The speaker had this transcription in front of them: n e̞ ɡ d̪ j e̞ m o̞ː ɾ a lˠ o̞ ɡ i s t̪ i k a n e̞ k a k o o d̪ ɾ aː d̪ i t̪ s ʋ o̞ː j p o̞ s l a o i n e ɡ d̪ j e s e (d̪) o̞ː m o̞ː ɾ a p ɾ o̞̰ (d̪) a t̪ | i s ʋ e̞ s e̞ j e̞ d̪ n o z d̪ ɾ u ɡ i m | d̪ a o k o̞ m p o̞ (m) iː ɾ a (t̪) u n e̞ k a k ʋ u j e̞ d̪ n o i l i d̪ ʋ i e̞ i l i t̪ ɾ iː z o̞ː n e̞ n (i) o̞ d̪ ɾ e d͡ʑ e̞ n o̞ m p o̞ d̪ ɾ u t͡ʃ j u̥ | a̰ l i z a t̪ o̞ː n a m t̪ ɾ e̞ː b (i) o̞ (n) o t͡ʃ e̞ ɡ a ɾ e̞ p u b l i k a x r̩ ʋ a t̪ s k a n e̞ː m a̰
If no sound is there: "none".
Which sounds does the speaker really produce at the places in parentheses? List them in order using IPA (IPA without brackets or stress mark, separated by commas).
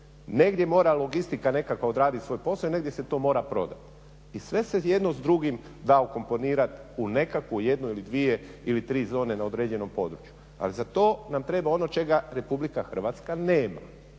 t̪, d̪, n, t̪, a, a, n